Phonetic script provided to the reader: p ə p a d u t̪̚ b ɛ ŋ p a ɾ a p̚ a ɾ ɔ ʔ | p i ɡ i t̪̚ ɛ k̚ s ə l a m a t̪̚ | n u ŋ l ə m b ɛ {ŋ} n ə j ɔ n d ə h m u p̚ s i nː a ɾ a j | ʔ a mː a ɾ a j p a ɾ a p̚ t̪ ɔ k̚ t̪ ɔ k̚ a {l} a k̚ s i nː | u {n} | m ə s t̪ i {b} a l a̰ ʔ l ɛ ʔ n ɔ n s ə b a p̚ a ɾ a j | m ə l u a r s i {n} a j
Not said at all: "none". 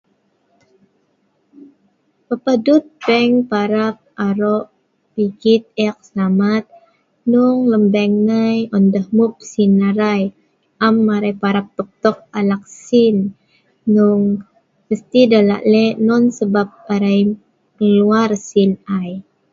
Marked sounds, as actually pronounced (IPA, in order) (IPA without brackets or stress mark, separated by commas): ŋ, l, ŋ, d, n